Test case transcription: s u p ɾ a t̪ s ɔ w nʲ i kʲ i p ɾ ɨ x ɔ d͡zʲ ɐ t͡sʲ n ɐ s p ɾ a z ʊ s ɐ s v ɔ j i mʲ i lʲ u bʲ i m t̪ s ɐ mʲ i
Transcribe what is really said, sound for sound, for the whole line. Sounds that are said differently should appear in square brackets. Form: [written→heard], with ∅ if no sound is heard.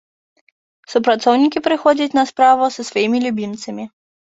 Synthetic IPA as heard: s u p ɾ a t̪ s ɔ w nʲ i kʲ i p ɾ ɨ x ɔ d͡zʲ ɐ t͡sʲ n ɐ s p ɾ a [z→v] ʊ s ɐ s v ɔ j i mʲ i lʲ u bʲ i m t̪ s ɐ mʲ i

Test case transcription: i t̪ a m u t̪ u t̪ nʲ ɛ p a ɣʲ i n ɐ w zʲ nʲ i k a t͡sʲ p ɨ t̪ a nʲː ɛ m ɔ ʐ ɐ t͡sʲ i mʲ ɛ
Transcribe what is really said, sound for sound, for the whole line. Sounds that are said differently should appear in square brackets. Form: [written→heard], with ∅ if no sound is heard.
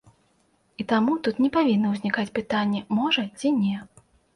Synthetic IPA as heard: i t̪ a m u t̪ u t̪ nʲ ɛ p a [ɣʲ→vʲ] i [n→nː] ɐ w zʲ nʲ i k a t͡sʲ p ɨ t̪ a nʲː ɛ m ɔ ʐ ɐ t͡sʲ i [mʲ→nʲ] ɛ

